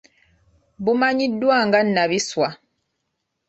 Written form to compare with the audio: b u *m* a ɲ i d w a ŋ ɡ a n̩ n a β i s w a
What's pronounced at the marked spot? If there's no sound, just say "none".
m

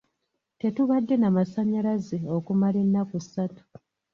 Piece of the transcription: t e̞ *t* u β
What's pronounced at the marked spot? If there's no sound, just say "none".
t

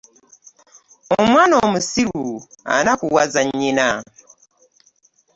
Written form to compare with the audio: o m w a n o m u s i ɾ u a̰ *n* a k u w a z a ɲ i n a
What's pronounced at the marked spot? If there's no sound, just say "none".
n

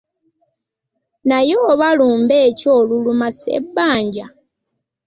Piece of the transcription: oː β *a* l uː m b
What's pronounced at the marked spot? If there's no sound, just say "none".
a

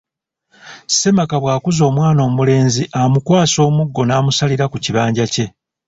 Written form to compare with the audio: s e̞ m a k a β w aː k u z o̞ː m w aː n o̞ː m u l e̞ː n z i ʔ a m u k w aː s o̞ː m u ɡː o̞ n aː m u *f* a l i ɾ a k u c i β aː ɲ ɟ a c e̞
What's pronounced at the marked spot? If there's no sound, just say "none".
s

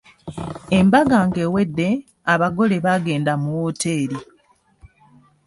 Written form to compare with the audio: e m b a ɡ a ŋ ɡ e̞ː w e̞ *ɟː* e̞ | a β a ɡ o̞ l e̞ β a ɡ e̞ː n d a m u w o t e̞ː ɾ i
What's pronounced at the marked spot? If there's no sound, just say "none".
dː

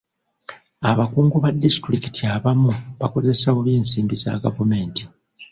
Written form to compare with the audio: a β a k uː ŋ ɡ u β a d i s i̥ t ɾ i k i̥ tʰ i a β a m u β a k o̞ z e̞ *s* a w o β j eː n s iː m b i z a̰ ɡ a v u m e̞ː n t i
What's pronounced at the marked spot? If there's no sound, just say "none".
s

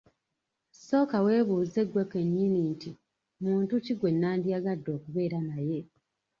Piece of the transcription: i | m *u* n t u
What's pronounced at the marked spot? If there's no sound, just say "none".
uː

